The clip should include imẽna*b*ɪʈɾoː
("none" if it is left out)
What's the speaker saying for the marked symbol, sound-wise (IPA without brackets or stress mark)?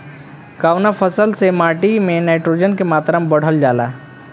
none